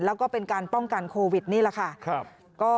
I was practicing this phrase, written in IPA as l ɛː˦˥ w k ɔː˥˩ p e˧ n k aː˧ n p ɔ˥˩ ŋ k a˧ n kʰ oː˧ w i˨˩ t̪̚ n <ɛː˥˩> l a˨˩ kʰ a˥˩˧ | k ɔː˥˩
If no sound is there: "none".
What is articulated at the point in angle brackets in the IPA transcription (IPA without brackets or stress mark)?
iː˥˩